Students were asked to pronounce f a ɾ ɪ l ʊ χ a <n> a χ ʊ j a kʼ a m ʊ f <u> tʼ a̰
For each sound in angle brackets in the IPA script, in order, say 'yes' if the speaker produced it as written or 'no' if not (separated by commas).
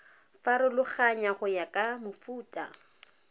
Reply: no, no